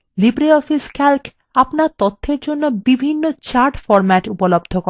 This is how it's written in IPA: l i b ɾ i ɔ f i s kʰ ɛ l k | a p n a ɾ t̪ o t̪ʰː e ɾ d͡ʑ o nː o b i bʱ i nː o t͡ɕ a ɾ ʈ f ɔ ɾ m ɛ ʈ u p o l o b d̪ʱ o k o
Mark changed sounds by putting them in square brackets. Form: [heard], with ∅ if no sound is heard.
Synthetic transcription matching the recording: l i b ɾ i ɔ f i s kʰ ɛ l k | a p n a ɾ t̪ o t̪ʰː e ɾ d͡ʑ o nː o b i bʱ i nː o t͡ɕ a ɾ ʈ f ɔ ɾ m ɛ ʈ u p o l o b d̪ʱ o k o